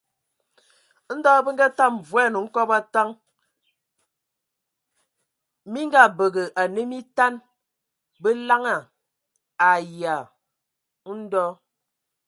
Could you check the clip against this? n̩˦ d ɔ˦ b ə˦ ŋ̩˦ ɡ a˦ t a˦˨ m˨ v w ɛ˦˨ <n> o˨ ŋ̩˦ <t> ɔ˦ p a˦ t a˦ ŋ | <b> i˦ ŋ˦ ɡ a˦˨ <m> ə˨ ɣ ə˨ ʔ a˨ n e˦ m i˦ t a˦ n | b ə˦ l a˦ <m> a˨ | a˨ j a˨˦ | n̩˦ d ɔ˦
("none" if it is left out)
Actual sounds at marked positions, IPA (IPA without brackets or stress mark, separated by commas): n, k, m, b, ŋ